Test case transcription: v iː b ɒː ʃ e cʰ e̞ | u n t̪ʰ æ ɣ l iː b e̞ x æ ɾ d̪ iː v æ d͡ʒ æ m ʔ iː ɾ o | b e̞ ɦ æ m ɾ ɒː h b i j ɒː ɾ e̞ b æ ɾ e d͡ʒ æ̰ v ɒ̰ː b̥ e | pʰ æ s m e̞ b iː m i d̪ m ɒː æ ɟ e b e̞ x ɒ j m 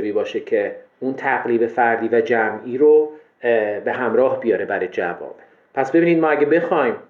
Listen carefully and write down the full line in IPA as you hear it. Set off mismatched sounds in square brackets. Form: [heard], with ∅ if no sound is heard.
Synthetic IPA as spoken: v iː b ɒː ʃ e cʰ e̞ | u n t̪ʰ æ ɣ l iː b e̞ [f] æ ɾ d̪ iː v æ d͡ʒ æ m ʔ iː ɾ o | b e̞ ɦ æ m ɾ ɒː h b i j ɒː ɾ e̞ b æ ɾ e d͡ʒ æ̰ v ɒ̰ː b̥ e | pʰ æ s [b] e̞ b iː [n] i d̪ m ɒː æ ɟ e b e̞ x ɒ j m